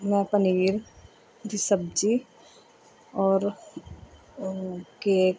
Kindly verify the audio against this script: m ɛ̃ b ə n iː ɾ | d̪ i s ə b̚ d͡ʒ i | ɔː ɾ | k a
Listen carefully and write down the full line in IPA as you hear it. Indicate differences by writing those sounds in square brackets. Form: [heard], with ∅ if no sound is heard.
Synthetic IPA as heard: m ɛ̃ [p] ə n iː ɾ | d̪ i s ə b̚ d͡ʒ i | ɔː ɾ | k [e]